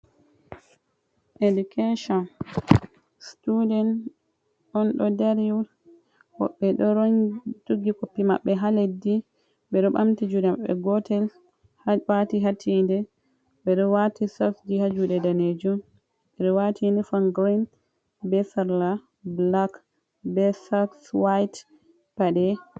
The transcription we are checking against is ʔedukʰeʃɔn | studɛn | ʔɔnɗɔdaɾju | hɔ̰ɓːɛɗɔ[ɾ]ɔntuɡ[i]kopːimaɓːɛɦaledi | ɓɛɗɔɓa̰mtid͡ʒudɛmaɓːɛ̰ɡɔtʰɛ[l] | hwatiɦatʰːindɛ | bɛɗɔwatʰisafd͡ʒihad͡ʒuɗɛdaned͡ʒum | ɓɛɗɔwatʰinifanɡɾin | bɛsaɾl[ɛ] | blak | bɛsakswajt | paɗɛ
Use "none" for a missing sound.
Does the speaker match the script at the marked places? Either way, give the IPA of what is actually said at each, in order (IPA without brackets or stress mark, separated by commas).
ɾ, i, l, a